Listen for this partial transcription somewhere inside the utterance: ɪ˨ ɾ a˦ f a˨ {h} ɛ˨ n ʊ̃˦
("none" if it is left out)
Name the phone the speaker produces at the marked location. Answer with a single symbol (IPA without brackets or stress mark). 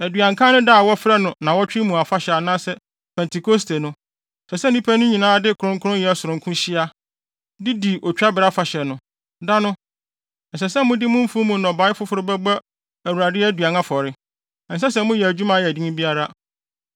ɕ